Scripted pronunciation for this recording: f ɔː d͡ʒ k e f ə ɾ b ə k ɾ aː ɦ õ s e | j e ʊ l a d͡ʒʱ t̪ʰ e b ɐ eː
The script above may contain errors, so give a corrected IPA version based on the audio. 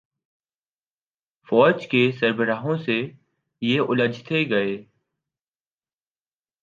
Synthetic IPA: f ɔː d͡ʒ k e s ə ɾ b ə ɾ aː ɦ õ s e | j e ʊ l ə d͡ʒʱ t̪ʰ e ɡ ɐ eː